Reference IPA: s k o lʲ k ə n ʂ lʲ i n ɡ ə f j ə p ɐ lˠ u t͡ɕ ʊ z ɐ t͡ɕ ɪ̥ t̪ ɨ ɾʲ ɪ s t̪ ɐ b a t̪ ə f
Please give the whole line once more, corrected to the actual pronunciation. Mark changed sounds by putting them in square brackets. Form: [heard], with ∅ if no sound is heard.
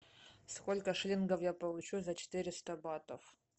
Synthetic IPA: s k o lʲ k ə [∅] ʂ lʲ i n ɡ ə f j [a] p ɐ lˠ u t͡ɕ [u] z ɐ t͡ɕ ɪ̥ t̪ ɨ ɾʲ ɪ s t̪ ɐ b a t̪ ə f